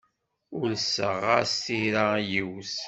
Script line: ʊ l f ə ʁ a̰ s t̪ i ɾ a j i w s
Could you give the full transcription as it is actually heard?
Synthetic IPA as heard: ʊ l s ə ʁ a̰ s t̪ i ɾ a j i w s